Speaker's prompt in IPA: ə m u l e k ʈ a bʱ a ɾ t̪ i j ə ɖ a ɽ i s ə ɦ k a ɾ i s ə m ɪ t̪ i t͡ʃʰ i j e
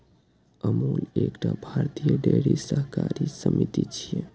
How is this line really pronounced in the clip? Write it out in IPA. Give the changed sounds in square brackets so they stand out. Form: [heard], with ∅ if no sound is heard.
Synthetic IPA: ə m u l e k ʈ a bʱ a ɾ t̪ i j ə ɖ [e] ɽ i s ə ɦ k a ɾ i s ə m [i] t̪ i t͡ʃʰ i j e

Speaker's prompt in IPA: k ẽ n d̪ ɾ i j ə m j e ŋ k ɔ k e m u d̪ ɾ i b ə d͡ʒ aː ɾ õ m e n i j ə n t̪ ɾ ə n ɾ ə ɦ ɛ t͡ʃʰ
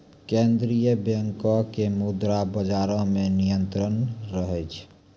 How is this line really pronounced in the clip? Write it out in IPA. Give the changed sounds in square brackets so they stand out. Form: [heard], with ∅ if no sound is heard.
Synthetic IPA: k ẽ n d̪ ɾ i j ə [b] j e ŋ k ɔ k e m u d̪ ɾ [a] b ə d͡ʒ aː ɾ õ m e n i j ə n t̪ ɾ ə n ɾ ə ɦ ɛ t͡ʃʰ

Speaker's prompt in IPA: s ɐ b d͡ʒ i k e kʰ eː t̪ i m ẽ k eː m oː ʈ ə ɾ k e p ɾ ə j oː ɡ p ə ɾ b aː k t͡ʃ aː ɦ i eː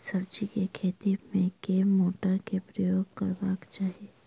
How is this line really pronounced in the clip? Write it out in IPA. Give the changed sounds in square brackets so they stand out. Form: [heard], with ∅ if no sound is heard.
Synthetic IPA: s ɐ b d͡ʒ i k e kʰ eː t̪ i m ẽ k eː m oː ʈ ə ɾ k e p ɾ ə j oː ɡ [k] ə ɾ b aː k t͡ʃ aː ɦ i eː

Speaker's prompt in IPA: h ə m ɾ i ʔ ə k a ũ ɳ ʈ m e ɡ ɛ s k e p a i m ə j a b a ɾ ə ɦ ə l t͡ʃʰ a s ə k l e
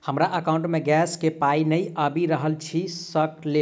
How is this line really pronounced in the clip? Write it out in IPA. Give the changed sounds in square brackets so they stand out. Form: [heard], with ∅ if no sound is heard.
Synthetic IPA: h ə m ɾ [a] ʔ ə k a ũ ɳ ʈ m e ɡ ɛ s k e p a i [n] ə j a b [i] ɾ ə ɦ ə l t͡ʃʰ [i] s ə k l e

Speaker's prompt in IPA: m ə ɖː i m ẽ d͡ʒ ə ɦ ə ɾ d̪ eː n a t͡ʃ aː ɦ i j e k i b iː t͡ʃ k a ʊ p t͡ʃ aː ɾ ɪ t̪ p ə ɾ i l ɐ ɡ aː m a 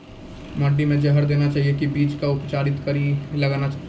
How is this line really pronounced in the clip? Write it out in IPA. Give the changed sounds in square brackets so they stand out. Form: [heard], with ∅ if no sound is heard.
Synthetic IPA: m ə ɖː i m ẽ d͡ʒ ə ɦ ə ɾ d̪ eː n a t͡ʃ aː ɦ i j e k i b iː t͡ʃ k a ʊ p t͡ʃ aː ɾ ɪ t̪ [k] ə ɾ i l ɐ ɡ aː [n] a

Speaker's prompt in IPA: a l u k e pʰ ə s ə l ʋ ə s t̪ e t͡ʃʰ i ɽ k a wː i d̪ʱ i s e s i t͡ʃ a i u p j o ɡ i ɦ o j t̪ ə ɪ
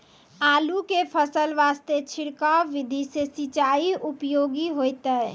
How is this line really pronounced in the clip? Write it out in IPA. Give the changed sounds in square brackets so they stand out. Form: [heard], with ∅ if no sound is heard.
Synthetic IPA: a l u k e pʰ ə s ə l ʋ [a] s t̪ e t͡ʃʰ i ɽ k a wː i d̪ʱ i s e s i t͡ʃ a i u p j o ɡ i ɦ o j t̪ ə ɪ

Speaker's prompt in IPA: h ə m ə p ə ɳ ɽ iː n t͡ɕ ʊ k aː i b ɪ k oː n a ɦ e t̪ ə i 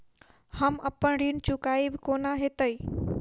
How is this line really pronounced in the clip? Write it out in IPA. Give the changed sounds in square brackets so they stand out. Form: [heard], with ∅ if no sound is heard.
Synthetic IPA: h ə m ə p ə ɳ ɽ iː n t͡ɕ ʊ k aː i b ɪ k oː n a ɦ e t̪ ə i

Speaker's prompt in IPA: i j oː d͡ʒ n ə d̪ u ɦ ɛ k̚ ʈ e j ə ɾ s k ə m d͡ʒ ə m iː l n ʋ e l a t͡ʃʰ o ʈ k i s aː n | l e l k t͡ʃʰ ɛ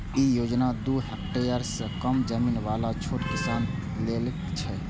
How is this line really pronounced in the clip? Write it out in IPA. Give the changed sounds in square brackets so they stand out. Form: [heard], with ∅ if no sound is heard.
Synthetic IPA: i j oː d͡ʒ n [a] d̪ u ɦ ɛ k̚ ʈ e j ə ɾ s k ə m d͡ʒ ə m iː [∅] n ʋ [a] l a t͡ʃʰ o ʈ k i s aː n | l e l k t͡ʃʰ ɛ

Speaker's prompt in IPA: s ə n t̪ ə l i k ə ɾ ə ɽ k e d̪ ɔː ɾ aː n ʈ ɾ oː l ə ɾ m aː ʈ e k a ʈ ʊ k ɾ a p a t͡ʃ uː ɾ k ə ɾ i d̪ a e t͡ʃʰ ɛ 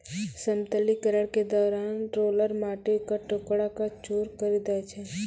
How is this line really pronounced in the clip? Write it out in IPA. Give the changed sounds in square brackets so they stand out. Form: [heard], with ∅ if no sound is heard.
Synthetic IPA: s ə [m] t̪ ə l i k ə ɾ ə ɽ k e d̪ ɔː ɾ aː n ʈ ɾ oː l ə ɾ m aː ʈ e k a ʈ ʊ k [ɽ] a [k] a t͡ʃ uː ɾ k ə ɾ i d̪ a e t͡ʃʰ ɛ

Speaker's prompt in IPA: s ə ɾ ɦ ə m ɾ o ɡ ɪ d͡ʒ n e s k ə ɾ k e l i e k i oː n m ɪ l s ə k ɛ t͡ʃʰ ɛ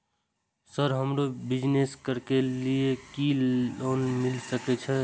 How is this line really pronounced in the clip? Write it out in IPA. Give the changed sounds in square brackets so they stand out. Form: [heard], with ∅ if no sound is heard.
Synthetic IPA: s ə ɾ ɦ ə m ɾ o [b] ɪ d͡ʒ n e s k ə ɾ k e l i e k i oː n m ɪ l s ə k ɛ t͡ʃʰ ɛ

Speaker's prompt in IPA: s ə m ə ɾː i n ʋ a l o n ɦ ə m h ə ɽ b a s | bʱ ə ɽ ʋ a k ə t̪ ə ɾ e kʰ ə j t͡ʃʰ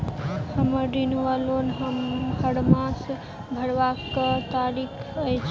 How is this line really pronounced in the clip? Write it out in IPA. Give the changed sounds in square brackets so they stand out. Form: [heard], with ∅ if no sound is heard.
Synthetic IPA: [h] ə m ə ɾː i n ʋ a l o n ɦ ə m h ə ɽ [m] a s | bʱ ə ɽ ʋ a k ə t̪ [a] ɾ [i] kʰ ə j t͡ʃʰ

